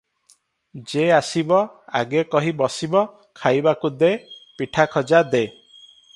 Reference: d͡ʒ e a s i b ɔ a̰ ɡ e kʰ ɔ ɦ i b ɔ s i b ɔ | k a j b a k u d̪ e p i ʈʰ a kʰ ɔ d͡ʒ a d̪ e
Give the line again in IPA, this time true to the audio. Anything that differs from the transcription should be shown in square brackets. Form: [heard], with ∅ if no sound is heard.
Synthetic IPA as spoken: d͡ʒ e a s i b ɔ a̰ ɡ e [k] ɔ ɦ i b ɔ s i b ɔ | [kʰ] a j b a k u d̪ e p i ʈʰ a kʰ ɔ d͡ʒ a d̪ e